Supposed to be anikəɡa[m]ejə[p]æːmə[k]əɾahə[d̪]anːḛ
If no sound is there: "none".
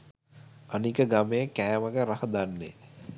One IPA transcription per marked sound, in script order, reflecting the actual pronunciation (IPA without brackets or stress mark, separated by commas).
m, k, ɡ, d̪